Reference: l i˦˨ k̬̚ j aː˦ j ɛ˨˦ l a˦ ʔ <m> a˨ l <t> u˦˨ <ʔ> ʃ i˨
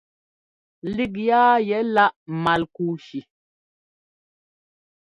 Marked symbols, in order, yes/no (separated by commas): yes, no, no